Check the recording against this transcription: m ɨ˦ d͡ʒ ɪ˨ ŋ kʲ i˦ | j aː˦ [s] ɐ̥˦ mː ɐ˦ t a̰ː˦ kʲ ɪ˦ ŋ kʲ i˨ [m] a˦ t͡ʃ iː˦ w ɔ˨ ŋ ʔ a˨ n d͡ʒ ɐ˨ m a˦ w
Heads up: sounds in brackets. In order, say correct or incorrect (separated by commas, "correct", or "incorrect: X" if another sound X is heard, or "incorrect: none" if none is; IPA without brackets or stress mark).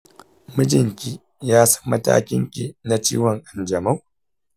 correct, incorrect: n